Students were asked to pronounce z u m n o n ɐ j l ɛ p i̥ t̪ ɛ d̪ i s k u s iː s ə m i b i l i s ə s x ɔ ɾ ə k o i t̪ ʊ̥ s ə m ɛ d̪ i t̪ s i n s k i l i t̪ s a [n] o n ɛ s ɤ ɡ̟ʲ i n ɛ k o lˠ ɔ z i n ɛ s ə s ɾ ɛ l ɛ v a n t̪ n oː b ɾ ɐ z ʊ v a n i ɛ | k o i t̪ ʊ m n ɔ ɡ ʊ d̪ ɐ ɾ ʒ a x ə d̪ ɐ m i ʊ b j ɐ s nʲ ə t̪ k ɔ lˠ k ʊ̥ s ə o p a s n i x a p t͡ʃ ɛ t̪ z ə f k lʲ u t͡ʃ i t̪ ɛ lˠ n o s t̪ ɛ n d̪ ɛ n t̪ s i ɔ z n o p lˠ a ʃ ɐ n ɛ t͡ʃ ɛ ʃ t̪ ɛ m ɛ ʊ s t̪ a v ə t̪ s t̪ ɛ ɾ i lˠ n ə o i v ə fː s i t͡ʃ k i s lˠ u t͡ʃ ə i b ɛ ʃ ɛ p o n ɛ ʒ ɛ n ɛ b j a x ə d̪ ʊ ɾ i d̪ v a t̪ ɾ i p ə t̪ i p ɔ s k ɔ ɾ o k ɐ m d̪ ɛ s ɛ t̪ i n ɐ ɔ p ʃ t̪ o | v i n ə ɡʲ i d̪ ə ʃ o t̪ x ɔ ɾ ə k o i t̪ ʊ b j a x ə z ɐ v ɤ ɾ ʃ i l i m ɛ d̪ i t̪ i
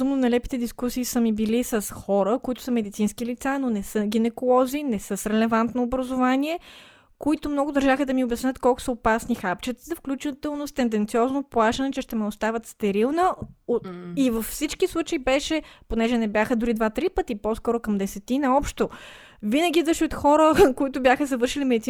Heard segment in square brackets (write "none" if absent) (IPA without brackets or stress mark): n